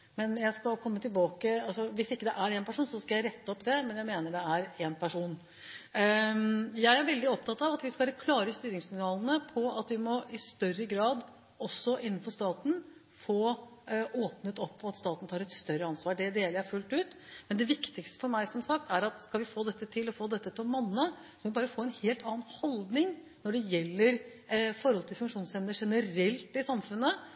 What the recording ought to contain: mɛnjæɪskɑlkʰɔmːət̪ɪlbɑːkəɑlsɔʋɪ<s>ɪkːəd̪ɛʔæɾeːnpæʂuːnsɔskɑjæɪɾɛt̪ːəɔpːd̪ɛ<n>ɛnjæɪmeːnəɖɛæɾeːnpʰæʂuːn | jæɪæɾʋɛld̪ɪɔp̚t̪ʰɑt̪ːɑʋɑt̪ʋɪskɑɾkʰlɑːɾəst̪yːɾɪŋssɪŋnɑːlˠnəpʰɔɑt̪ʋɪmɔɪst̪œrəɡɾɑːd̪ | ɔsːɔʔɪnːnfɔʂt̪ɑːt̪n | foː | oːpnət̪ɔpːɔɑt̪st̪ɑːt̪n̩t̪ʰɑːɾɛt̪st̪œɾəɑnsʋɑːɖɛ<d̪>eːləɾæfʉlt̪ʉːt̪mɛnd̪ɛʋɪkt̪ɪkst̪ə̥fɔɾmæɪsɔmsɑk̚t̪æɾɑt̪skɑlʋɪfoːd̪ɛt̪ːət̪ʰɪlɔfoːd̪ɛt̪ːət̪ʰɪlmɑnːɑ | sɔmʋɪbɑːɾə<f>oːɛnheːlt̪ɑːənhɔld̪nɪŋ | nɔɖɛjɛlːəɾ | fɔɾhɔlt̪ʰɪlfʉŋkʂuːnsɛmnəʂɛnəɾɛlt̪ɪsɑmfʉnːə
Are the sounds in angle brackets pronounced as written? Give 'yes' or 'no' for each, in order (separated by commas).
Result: yes, no, yes, yes